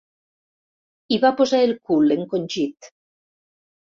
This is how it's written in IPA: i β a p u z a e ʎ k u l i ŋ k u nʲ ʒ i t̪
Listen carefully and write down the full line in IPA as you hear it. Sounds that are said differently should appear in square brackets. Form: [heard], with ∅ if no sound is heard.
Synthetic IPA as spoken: i β a p [o] z a e [l] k u l [e] ŋ k [o] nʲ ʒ i t̪